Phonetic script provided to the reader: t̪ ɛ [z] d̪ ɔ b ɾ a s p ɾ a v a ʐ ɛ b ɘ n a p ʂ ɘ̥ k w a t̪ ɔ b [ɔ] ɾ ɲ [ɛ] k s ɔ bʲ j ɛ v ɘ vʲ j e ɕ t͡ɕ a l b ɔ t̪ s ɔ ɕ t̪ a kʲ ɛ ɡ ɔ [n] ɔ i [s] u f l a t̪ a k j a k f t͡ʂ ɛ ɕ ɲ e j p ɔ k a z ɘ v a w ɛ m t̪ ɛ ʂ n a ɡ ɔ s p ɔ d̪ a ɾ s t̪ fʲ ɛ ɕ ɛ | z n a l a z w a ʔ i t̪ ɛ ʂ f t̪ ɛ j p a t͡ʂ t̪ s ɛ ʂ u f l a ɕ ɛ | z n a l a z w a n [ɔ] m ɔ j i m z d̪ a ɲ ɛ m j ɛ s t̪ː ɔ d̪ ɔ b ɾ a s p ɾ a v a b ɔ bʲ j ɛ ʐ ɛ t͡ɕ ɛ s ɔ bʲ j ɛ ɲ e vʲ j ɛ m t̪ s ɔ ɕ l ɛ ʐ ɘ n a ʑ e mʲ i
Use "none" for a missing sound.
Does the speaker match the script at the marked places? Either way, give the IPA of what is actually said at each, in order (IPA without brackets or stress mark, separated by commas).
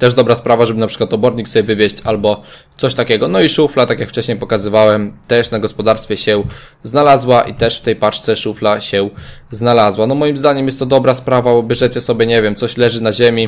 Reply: ʐ, ɔ, i, n, ʂ, ɔ